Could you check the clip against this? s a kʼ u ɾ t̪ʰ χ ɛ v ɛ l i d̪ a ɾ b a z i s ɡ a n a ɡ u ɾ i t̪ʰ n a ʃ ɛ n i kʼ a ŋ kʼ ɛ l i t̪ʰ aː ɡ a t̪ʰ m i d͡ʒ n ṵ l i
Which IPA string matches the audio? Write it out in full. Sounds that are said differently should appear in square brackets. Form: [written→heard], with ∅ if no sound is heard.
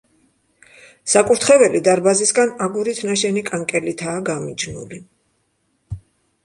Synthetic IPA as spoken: s a kʼ u ɾ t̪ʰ χ ɛ v ɛ l i d̪ a ɾ b a z i s ɡ a n a ɡ u ɾ i t̪ʰ n a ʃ ɛ n i kʼ a ŋ kʼ ɛ l i t̪ʰ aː ɡ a [t̪ʰ→∅] m i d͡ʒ n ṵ l i